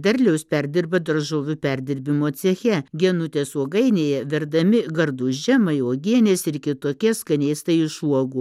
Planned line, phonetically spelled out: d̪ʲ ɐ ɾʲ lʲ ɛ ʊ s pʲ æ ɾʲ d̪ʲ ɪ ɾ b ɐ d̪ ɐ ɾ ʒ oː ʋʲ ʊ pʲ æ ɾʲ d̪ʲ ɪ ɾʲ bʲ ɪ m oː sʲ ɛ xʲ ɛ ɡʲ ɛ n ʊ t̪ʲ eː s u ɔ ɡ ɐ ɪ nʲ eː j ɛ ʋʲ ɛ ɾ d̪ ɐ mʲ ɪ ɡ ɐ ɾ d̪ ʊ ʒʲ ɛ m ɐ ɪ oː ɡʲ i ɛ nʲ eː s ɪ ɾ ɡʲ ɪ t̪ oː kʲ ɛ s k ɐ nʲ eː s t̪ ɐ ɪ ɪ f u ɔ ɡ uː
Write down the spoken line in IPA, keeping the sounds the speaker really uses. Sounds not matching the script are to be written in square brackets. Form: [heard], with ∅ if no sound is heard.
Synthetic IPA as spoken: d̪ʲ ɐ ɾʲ lʲ ɛ ʊ s pʲ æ ɾʲ d̪ʲ ɪ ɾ b ɐ d̪ ɐ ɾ ʒ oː ʋʲ ʊ pʲ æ ɾʲ d̪ʲ ɪ ɾʲ bʲ ɪ m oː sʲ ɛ xʲ ɛ ɡʲ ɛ n ʊ t̪ʲ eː s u ɔ ɡ ɐ ɪ nʲ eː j ɛ ʋʲ ɛ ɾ d̪ ɐ mʲ ɪ ɡ ɐ ɾ d̪ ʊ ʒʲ ɛ m ɐ ɪ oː ɡʲ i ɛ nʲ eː s ɪ ɾ [kʲ] ɪ t̪ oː kʲ ɛ s k ɐ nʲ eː s t̪ ɐ ɪ ɪ [ʃ] u ɔ ɡ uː

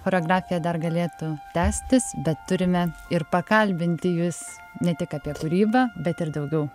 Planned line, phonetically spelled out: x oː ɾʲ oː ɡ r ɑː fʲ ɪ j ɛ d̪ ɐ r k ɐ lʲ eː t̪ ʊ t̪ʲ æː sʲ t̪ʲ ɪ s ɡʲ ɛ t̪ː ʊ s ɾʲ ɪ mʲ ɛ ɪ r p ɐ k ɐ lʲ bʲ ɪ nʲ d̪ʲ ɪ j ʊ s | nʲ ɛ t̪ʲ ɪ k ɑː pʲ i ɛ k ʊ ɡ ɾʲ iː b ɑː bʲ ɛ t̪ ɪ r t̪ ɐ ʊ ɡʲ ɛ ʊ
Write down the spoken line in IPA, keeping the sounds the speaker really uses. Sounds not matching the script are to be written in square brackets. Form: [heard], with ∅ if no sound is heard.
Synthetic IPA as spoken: x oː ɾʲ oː ɡ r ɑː fʲ ɪ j ɛ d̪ ɐ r [ɡ] ɐ lʲ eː t̪ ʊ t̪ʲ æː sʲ t̪ʲ ɪ s [bʲ] ɛ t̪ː ʊ [∅] ɾʲ ɪ mʲ ɛ ɪ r p ɐ k ɐ lʲ bʲ ɪ nʲ [t̪ʲ] ɪ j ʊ s | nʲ ɛ t̪ʲ ɪ k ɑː pʲ i ɛ k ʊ [∅] ɾʲ iː b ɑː bʲ ɛ t̪ ɪ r [d̪] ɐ ʊ ɡʲ ɛ ʊ

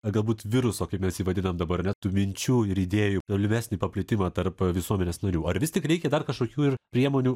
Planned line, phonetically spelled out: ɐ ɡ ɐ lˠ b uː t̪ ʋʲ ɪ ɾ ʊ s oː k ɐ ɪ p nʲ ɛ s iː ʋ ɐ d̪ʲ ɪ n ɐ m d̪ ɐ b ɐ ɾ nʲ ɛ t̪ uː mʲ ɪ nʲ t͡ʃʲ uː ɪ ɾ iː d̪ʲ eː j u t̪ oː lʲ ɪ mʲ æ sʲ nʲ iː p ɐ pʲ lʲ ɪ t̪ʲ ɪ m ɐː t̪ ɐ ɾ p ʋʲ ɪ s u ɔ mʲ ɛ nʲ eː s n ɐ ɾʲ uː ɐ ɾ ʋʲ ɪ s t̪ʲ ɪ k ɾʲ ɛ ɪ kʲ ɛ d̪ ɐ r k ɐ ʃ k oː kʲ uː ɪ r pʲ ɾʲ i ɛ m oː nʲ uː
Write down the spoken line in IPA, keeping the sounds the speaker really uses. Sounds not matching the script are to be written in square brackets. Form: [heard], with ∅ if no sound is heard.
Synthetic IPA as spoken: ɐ ɡ ɐ lˠ b uː t̪ ʋʲ ɪ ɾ ʊ s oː k ɐ ɪ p [mʲ] ɛ s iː ʋ ɐ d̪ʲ ɪ n ɐ m d̪ ɐ b ɐ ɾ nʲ ɛ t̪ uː mʲ ɪ nʲ t͡ʃʲ uː ɪ ɾ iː d̪ʲ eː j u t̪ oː lʲ ɪ mʲ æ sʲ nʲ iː p ɐ pʲ lʲ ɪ t̪ʲ ɪ m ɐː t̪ ɐ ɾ p ʋʲ ɪ s u ɔ mʲ ɛ nʲ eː s n ɐ ɾʲ uː ɐ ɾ ʋʲ ɪ s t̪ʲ ɪ k ɾʲ ɛ ɪ kʲ ɛ d̪ ɐ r k ɐ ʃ k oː kʲ uː ɪ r pʲ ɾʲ i ɛ m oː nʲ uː

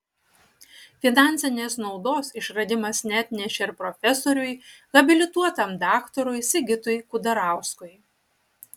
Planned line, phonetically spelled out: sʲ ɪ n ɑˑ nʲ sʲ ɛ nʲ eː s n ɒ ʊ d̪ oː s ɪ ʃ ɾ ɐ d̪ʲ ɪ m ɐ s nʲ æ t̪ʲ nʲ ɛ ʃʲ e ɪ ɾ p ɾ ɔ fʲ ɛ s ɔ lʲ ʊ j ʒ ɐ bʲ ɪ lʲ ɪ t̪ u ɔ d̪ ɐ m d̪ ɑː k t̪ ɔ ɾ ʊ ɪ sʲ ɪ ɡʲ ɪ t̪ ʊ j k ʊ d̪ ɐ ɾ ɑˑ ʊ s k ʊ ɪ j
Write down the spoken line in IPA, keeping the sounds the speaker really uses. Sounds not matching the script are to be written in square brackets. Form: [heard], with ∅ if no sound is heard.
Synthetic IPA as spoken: [fʲ] ɪ n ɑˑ nʲ sʲ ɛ nʲ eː s n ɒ ʊ d̪ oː s ɪ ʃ ɾ ɐ d̪ʲ ɪ m ɐ s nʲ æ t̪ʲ nʲ ɛ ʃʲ e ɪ ɾ p ɾ ɔ fʲ ɛ s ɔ [ɾʲ] ʊ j [ɣ] ɐ bʲ ɪ lʲ ɪ t̪ u ɔ [t̪] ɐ m d̪ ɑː k t̪ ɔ ɾ ʊ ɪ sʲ ɪ ɡʲ ɪ t̪ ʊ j k ʊ d̪ ɐ ɾ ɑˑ ʊ s k ʊ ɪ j

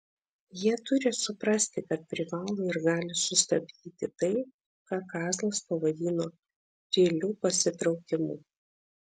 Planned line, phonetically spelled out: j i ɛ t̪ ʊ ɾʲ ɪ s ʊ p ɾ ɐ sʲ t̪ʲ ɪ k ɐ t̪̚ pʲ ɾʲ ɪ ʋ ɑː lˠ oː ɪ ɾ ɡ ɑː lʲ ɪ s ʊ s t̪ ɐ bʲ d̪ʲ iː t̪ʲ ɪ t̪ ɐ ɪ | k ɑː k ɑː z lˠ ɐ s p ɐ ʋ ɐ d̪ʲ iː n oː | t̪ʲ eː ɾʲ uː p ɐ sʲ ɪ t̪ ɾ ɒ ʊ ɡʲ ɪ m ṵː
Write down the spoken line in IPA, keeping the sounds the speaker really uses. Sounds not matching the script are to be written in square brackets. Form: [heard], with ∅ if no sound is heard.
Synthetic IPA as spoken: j i ɛ t̪ ʊ ɾʲ ɪ s ʊ p ɾ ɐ sʲ t̪ʲ ɪ k ɐ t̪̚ pʲ ɾʲ ɪ ʋ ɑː lˠ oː ɪ ɾ ɡ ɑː lʲ ɪ s ʊ s t̪ ɐ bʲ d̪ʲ iː t̪ʲ ɪ t̪ ɐ ɪ | k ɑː k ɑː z lˠ ɐ s p ɐ ʋ ɐ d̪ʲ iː n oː | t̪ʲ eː [lʲ] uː p ɐ sʲ ɪ t̪ ɾ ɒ ʊ [kʲ] ɪ m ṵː

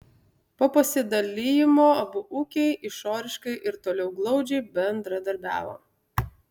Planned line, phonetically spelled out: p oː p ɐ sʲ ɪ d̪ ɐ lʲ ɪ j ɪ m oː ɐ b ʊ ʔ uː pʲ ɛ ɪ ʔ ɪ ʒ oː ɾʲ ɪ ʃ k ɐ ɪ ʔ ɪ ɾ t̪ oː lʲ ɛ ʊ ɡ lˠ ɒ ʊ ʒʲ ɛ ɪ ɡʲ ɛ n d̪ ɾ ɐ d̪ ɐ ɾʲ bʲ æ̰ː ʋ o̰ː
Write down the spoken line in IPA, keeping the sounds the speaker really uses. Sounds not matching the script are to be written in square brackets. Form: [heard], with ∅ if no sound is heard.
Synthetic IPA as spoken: p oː p ɐ sʲ ɪ d̪ ɐ lʲ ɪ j ɪ m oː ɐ b ʊ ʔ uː [kʲ] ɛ ɪ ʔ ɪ [ʃ] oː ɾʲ ɪ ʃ k ɐ ɪ ʔ ɪ ɾ t̪ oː lʲ ɛ ʊ ɡ lˠ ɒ ʊ [d͡ʒʲ] ɛ ɪ [bʲ] ɛ n d̪ ɾ ɐ d̪ ɐ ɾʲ bʲ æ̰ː ʋ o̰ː

